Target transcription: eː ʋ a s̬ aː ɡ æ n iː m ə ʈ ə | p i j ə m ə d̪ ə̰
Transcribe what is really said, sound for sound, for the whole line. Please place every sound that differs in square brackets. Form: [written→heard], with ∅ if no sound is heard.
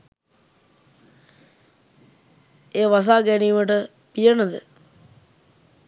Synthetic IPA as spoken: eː ʋ a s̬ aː ɡ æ n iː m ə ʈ ə | p i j ə [m→n] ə d̪ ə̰